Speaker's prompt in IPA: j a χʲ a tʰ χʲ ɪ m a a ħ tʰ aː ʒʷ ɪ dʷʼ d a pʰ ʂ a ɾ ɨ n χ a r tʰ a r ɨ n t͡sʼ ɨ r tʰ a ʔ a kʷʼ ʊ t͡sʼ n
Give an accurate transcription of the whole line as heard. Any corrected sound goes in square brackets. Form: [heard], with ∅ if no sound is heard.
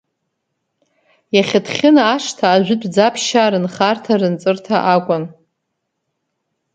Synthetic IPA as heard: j a χʲ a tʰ χʲ ɪ [n] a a [ʂ] tʰ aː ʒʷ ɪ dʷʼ [d͡z] a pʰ [ʃ] a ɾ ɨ n χ a r tʰ a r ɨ n t͡sʼ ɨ r tʰ a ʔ a kʷʼ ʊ [∅] n